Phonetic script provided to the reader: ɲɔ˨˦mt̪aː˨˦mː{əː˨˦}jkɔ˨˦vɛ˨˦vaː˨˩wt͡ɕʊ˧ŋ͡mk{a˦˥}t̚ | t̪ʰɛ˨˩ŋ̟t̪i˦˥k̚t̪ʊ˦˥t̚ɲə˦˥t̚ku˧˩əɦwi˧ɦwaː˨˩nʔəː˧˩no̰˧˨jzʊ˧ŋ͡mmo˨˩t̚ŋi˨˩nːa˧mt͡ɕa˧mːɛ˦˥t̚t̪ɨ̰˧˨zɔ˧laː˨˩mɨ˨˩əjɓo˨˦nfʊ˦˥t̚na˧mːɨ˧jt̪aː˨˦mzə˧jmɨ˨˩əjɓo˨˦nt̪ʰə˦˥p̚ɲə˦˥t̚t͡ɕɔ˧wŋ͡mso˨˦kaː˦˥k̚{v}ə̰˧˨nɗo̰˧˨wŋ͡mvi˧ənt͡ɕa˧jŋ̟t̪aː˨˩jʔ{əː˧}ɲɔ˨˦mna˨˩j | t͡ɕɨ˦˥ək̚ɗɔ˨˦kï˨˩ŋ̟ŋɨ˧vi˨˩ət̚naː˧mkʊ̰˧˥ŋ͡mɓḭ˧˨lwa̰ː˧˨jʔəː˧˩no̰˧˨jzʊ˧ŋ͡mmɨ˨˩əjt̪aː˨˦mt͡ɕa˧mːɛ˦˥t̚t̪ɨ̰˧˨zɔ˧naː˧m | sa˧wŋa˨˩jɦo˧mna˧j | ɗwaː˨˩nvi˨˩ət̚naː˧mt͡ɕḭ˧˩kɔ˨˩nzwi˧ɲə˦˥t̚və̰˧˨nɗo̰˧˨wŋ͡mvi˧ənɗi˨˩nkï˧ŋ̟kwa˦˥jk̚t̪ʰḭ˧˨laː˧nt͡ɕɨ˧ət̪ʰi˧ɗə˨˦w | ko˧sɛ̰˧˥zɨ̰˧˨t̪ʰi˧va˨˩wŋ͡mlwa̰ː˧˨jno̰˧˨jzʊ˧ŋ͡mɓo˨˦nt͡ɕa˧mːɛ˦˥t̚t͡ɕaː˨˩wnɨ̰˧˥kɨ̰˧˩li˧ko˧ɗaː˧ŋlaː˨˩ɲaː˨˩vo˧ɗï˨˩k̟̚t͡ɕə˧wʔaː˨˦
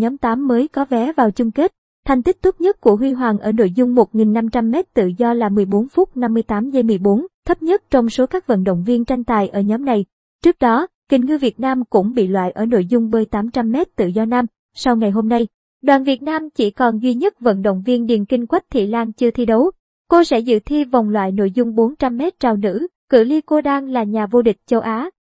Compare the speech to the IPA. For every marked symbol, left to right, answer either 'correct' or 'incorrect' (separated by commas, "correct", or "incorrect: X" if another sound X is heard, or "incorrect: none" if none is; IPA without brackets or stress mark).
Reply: correct, incorrect: e˦˥, correct, incorrect: əː˧˩